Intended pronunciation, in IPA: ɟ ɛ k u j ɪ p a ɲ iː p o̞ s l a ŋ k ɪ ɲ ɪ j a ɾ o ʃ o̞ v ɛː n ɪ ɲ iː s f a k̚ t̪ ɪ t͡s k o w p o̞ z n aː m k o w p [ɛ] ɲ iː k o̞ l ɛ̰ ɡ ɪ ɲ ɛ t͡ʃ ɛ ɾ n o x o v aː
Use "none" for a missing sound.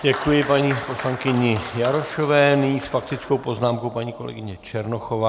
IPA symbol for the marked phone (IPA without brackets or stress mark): a